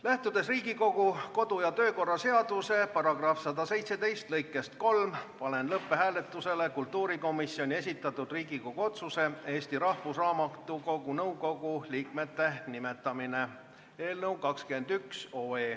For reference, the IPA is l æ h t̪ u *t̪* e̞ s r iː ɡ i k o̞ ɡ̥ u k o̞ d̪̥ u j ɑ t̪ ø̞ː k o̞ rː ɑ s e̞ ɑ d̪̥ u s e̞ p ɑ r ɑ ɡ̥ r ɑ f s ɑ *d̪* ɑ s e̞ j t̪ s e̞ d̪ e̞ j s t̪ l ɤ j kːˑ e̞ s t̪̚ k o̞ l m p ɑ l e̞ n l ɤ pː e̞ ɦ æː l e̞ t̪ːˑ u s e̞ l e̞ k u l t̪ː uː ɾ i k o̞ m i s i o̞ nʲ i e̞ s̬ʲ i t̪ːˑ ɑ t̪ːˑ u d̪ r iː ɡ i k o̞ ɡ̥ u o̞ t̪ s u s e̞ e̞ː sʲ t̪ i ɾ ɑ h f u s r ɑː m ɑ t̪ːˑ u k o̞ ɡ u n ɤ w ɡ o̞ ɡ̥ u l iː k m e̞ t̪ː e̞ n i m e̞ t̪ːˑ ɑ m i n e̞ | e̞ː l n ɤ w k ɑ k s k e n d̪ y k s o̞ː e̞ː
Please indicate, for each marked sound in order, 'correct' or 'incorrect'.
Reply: incorrect: d̪, correct

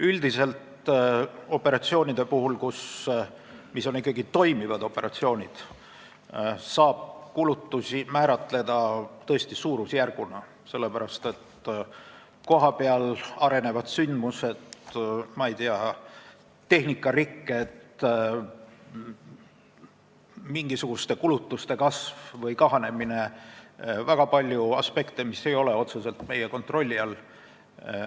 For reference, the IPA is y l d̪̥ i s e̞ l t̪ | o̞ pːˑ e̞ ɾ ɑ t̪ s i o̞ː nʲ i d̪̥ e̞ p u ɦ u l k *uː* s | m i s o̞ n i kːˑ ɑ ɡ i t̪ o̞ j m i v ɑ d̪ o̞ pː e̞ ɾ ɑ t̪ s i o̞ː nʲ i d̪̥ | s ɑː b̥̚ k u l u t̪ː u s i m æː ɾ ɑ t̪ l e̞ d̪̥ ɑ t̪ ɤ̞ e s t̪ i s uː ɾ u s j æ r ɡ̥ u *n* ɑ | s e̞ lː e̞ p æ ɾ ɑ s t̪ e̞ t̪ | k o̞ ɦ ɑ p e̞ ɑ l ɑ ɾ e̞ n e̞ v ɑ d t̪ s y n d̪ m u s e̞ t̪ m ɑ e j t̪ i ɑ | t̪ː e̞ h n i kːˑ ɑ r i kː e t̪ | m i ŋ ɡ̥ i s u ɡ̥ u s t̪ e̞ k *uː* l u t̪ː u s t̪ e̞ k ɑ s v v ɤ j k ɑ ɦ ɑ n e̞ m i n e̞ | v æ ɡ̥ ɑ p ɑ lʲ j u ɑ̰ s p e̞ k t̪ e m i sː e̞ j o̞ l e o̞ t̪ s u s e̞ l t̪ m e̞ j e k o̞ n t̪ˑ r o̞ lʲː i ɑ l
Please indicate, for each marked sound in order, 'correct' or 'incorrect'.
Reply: incorrect: u, correct, incorrect: u

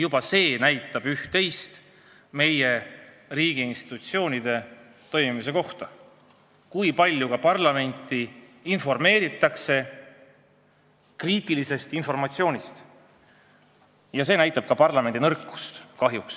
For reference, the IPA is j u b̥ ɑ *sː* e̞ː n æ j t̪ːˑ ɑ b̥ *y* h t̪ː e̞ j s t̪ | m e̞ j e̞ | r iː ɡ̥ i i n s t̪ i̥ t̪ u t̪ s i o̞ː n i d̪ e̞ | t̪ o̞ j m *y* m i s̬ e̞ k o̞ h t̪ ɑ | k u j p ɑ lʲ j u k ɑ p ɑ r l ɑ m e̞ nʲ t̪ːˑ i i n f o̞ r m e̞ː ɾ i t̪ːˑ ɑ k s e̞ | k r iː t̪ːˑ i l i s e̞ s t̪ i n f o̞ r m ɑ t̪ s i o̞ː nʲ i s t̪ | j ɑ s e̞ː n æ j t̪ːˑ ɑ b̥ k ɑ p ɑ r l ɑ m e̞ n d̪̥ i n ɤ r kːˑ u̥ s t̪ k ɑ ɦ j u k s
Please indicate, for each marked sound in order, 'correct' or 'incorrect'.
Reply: incorrect: s, correct, incorrect: i

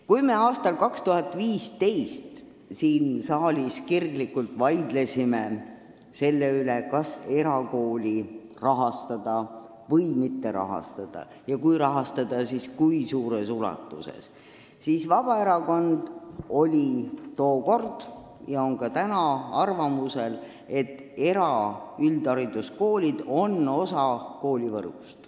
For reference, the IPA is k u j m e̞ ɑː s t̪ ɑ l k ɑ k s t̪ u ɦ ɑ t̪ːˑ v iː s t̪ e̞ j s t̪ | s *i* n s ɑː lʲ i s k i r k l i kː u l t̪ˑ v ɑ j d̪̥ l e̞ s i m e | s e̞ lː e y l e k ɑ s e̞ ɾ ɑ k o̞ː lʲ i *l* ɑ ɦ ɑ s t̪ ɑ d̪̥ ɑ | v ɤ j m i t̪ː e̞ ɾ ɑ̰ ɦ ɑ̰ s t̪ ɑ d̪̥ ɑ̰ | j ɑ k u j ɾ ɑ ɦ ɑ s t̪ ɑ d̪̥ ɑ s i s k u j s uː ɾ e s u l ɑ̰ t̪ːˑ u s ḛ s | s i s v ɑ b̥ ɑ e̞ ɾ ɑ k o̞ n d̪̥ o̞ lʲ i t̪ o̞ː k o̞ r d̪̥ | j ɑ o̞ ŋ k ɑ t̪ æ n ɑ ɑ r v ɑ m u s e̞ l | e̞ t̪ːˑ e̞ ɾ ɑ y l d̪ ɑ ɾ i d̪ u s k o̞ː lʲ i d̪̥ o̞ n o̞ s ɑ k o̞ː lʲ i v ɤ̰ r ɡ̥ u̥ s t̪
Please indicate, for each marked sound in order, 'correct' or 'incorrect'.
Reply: incorrect: iː, incorrect: r

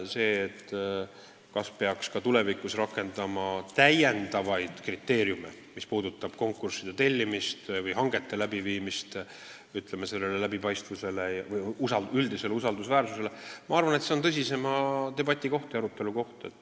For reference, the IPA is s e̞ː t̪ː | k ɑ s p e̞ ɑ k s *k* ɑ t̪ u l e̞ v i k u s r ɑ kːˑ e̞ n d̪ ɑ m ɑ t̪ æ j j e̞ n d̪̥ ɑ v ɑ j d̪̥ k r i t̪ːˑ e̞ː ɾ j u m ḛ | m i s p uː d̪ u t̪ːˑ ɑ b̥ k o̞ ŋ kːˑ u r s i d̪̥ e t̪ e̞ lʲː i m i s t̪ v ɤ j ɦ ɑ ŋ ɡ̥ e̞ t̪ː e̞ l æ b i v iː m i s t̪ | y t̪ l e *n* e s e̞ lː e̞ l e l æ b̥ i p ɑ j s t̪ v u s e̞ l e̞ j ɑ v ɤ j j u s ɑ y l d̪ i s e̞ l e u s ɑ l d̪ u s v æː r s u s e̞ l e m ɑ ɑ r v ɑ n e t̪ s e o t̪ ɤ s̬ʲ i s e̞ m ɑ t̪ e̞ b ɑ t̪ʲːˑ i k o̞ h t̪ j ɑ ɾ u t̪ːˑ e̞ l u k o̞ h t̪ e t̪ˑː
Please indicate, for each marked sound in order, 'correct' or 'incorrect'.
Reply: correct, incorrect: m

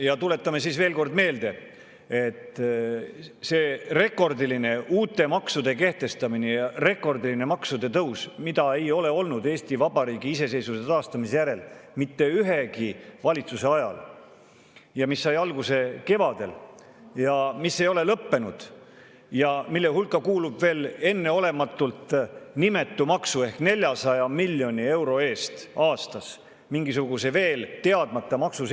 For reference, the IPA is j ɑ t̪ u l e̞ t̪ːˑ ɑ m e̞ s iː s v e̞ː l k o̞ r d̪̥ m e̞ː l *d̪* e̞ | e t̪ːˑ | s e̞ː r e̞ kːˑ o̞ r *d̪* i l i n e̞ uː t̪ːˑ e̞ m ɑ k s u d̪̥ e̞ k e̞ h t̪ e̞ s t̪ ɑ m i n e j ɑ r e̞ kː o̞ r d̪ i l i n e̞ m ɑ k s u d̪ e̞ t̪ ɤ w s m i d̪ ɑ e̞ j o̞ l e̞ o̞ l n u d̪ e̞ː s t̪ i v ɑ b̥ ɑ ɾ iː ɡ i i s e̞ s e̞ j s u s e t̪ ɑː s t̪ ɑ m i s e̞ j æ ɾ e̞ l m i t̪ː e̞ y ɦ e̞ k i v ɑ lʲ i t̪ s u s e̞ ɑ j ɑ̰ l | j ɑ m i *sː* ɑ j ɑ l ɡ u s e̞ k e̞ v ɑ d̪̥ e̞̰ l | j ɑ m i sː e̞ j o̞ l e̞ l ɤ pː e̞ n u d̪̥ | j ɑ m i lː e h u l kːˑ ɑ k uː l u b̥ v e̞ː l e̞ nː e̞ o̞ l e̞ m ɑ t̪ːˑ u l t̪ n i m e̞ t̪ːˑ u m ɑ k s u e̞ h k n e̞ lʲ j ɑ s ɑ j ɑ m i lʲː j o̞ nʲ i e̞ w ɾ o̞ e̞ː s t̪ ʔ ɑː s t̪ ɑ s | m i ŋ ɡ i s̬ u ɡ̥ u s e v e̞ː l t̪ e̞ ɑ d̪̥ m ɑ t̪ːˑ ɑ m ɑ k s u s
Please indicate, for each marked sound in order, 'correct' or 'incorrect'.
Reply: correct, correct, correct

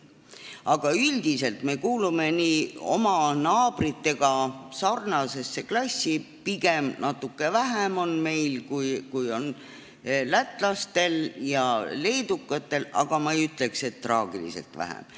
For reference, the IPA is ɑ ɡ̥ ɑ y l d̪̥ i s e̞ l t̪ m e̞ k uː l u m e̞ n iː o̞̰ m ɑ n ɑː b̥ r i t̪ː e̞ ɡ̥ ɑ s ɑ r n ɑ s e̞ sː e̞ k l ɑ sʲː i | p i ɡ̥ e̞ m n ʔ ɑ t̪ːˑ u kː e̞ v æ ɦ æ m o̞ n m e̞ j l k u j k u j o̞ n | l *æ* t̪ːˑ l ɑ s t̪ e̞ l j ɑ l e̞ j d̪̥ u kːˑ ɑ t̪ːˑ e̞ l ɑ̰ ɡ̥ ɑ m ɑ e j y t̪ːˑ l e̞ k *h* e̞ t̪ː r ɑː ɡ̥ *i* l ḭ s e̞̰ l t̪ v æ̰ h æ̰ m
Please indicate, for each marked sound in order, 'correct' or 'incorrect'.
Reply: correct, incorrect: s, correct

